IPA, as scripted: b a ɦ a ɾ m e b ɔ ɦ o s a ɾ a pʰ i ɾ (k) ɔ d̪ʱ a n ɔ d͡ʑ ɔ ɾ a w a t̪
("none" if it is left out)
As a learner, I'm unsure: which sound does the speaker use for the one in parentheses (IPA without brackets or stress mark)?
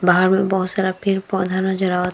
p